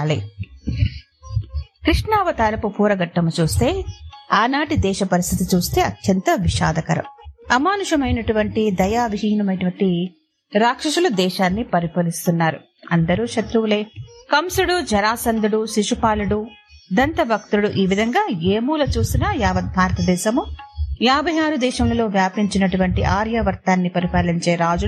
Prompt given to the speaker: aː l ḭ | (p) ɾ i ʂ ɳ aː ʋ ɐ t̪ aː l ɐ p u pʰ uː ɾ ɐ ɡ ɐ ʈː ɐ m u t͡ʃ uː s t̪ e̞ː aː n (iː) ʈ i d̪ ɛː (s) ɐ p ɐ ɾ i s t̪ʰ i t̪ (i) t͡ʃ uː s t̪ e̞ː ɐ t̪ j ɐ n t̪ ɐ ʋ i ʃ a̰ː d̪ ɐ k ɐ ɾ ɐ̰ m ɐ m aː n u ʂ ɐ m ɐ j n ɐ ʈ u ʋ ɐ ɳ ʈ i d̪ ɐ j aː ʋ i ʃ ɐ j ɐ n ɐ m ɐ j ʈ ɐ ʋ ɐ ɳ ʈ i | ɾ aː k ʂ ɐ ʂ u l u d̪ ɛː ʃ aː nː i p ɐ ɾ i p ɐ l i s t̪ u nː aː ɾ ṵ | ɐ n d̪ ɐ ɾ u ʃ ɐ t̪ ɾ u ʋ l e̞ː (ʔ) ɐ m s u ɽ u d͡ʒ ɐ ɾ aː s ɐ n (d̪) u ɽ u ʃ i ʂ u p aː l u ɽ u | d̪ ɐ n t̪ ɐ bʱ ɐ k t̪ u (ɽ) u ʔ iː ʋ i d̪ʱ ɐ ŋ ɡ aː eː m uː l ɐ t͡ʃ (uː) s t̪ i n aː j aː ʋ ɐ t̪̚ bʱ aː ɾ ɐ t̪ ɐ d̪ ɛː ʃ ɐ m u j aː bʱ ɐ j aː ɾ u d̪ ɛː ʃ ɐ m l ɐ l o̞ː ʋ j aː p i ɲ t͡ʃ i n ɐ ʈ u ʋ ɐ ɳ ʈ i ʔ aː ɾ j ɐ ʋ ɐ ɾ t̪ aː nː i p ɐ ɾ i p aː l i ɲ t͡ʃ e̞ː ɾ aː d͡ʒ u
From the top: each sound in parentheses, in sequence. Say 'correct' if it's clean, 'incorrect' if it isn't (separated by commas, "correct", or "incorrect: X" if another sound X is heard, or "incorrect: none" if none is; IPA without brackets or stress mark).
incorrect: k, incorrect: aː, incorrect: ʃ, correct, incorrect: k, correct, correct, correct